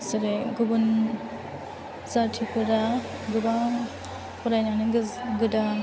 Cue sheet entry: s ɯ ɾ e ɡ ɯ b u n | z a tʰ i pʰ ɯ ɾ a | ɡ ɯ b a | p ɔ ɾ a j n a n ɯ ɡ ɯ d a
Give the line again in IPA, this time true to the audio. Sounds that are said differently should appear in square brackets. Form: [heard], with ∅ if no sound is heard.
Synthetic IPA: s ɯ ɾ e ɡ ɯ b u n | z a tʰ i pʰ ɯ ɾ a | ɡ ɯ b a | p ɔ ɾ a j n a n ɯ ɡ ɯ d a